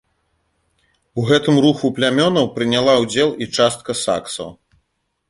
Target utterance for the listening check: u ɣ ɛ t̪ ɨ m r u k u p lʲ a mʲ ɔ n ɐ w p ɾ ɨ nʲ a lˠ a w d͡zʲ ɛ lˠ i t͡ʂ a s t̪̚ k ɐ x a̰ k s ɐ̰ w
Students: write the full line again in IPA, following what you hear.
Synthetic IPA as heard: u ɣ ɛ t̪ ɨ m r u x u p lʲ a mʲ ɔ n ɐ w p ɾ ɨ nʲ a lˠ a w d͡zʲ ɛ lˠ i t͡ʂ a s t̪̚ k ɐ s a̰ k s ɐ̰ w